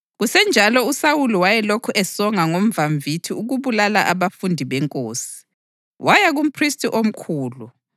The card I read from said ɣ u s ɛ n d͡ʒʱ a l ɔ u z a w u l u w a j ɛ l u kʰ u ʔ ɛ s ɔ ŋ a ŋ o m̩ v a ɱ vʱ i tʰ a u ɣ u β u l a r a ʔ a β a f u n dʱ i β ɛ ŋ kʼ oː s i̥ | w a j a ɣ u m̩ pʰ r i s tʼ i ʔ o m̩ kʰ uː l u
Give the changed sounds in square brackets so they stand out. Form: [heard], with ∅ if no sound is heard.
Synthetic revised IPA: ɣ u s ɛ n d͡ʒʱ a l ɔ u [s] a w u l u w a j ɛ l [o] kʰ u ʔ ɛ s ɔ ŋ a ŋ o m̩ v a ɱ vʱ i tʰ [i] u ɣ u β u l a [l] a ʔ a β a f u n dʱ i β ɛ ŋ kʼ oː s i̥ | w a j a ɣ u m̩ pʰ r i s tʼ i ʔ o m̩ kʰ uː l u